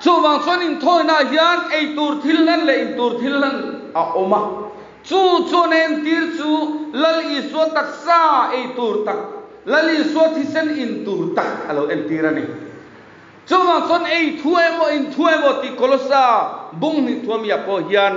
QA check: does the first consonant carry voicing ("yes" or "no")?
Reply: no